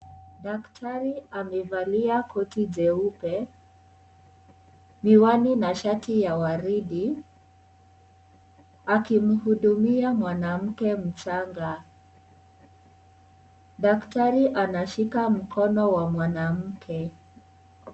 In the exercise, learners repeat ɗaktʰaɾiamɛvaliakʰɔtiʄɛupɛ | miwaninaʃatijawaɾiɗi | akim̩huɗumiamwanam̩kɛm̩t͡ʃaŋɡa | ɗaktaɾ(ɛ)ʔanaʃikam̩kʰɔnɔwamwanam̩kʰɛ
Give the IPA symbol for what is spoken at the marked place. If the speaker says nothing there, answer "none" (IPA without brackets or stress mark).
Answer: i